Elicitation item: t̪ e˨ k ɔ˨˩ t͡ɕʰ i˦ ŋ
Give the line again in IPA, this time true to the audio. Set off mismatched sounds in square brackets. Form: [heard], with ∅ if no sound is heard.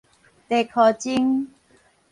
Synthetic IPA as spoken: t̪ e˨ [kʰ] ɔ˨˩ [t͡ɕ] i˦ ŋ